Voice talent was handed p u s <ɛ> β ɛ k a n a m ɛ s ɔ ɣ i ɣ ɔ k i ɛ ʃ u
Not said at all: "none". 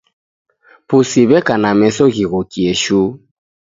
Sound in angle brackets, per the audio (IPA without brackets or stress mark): i